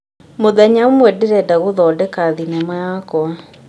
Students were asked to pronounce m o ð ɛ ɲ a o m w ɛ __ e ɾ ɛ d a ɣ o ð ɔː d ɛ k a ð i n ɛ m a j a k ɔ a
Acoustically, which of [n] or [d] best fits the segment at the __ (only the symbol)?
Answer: d